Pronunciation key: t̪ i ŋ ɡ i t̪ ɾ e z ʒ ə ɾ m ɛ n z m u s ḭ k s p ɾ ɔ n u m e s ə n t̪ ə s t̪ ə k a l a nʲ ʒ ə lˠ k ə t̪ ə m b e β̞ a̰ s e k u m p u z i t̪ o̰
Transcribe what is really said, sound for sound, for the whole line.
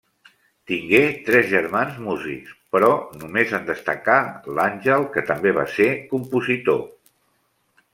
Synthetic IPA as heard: t̪ i ŋ ɡ e t̪ ɾ ɛ z ʒ ə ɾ m a n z m u z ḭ k s p ɾ ɔ n u m e z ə n d̪ ə s t̪ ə k a l a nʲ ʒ ə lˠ k ə t̪ ə m b e β̞ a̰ s e k u m p u z i t̪ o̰